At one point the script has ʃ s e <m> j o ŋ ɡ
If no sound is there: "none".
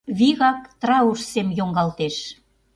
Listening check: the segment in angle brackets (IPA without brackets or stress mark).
m